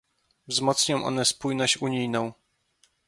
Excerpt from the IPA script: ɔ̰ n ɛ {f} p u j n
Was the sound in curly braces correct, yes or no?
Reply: no